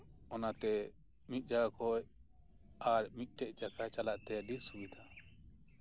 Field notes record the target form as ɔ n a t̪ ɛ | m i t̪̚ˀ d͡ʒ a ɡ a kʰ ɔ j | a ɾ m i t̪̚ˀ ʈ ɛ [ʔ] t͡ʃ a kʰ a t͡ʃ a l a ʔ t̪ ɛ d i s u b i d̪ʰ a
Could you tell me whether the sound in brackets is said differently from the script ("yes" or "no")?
no